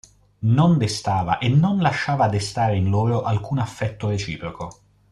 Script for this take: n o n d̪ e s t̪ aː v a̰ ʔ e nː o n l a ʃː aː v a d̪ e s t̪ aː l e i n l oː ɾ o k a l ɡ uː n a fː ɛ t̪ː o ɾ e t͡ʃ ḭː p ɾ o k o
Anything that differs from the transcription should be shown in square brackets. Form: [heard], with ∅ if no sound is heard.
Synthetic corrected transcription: n o n d̪ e s t̪ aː v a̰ ʔ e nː o n l a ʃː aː v a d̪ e s t̪ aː [ɾ] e i n l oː ɾ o [ʔ] a l [k] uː n a fː ɛ t̪ː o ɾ e t͡ʃ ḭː p ɾ o k o

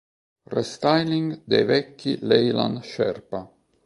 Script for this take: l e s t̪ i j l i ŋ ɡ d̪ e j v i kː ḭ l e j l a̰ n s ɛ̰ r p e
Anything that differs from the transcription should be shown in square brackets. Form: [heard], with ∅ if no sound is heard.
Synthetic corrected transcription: [r] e s t̪ [a] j l i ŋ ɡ d̪ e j v [ɛ] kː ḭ l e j l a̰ n [ʃ] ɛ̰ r p [a]

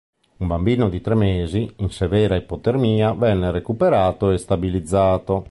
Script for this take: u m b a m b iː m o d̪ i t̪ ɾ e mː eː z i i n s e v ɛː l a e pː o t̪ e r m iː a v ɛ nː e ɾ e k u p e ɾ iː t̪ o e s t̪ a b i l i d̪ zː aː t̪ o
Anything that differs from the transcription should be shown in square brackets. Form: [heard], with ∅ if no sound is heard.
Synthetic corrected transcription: u m b a m b iː [n] o d̪ i t̪ ɾ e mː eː z i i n s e v ɛː [ɾ] a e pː o t̪ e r m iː a v ɛ nː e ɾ e k u p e ɾ [aː] t̪ o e s t̪ a b i l i d̪ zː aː t̪ o

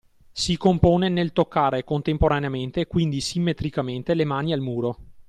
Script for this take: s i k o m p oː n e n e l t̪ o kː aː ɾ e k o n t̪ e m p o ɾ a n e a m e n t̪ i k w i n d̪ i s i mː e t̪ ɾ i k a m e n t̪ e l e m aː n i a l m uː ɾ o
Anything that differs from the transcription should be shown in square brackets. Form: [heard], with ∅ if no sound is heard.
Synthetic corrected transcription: s i k o m p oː n e n e l t̪ o kː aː ɾ e k o n t̪ e m p o ɾ a n e a m e n t̪ [e] k w i n d̪ i s i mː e t̪ ɾ i k a m e n t̪ e l e m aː n i a l m uː ɾ o

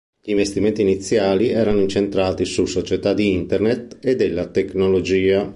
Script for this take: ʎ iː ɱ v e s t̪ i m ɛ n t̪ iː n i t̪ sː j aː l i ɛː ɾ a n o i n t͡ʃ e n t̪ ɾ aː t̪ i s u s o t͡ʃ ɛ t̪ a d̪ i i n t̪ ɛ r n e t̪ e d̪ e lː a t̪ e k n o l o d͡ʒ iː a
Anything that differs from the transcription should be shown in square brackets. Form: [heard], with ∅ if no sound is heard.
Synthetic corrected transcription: ʎ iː ɱ v e s t̪ i m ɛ n t̪ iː n i t̪ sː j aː l i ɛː ɾ a n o i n t͡ʃ e n t̪ ɾ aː t̪ i s u s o t͡ʃ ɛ t̪ a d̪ i i n t̪ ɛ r n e t̪ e d̪ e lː a t̪ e k n o l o d͡ʒ iː a

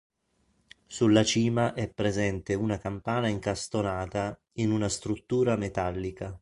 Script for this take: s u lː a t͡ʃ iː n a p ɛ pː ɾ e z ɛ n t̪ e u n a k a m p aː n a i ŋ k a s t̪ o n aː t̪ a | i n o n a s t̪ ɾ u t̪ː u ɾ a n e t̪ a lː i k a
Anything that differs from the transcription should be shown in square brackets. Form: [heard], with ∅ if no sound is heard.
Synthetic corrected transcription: s u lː a t͡ʃ iː [m] a [ʔ] ɛ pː ɾ e z ɛ n t̪ e u n a k a m p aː n a i ŋ k a s t̪ o n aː t̪ a | i n [u] n a s t̪ ɾ u t̪ː [uː] ɾ a [m] e t̪ a lː i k a

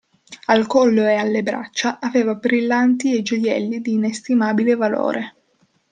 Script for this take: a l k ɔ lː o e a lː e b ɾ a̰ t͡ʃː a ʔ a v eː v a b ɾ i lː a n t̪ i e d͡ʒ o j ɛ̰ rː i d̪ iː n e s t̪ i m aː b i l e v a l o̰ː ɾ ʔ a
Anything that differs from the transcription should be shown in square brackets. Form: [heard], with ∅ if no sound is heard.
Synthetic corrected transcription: a l k ɔ lː o e a lː e b ɾ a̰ t͡ʃː a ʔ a v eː v a b ɾ i lː a n t̪ i e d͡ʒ o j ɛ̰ [lː] i d̪ iː n e s t̪ i m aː b i l e v a l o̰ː ɾ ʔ [e]

